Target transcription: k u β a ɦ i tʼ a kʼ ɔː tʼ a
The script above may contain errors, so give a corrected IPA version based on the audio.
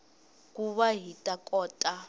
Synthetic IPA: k u β a ɦ i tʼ a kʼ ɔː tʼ a